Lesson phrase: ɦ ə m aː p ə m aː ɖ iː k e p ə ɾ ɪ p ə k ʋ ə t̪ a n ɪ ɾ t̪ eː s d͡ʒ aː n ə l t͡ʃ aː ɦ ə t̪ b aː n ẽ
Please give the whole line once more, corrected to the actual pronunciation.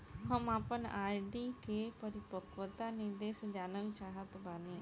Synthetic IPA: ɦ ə m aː p ə n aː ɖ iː k e p ə ɾ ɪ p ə k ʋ ə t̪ a n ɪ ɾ d̪ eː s d͡ʒ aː n ə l t͡ʃ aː ɦ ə t̪ b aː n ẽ